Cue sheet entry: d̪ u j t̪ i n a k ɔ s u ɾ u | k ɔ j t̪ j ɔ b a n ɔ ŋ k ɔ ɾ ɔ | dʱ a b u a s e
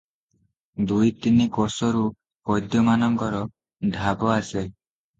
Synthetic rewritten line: d̪ u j t̪ i n i k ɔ s ɔ ɾ u | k ɔ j d̪ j ɔ m a n ɔ ŋ k ɔ ɾ ɔ | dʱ a b ɔ a s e